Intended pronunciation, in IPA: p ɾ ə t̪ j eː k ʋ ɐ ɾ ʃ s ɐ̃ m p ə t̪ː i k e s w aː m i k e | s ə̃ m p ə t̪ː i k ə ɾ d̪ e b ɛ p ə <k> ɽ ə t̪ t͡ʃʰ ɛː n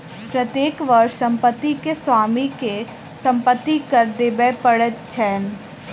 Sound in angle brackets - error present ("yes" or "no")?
yes